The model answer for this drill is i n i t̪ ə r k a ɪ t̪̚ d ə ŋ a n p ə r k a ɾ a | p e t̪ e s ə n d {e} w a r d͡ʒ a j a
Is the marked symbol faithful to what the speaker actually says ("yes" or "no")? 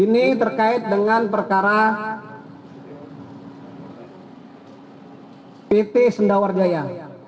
no